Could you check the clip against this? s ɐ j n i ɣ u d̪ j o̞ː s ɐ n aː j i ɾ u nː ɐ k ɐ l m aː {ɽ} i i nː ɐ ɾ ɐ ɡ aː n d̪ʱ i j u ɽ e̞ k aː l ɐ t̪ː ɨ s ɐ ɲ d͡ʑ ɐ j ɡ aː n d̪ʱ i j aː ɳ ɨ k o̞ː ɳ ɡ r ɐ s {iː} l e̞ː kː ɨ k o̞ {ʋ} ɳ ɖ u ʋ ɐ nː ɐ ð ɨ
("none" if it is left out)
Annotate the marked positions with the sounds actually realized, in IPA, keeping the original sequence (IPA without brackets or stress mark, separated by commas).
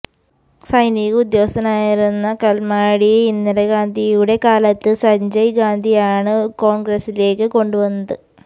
ɽ, i, none